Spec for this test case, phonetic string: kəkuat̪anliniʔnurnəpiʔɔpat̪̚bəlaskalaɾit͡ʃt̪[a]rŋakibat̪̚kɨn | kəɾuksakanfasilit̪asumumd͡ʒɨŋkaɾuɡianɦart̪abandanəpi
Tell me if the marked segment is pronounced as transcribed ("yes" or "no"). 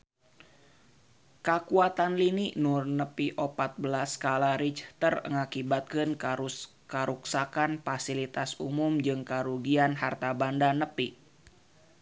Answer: no